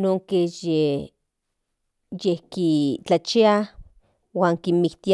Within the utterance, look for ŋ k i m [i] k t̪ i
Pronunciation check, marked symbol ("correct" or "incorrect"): correct